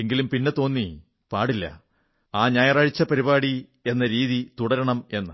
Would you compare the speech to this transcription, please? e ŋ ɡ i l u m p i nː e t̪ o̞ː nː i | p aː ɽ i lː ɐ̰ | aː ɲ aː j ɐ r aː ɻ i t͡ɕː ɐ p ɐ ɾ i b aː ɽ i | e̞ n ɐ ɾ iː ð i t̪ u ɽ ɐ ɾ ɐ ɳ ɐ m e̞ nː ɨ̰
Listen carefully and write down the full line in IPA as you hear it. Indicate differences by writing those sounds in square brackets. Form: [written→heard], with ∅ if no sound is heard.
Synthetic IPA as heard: e ŋ ɡ i l u m p i nː e t̪ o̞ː nː i | p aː ɽ i lː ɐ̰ | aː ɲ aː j ɐ r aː ɻ i t͡ɕː ɐ p ɐ ɾ i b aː ɽ i | e̞ [n→nː] ɐ ɾ iː ð i t̪ u ɽ ɐ ɾ ɐ ɳ ɐ m e̞ nː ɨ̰